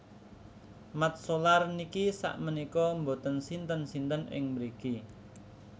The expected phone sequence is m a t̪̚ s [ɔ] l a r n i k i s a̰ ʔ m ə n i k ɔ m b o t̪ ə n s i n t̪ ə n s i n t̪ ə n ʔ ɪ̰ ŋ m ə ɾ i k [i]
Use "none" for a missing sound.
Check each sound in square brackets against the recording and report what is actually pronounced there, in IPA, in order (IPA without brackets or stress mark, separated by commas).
o, i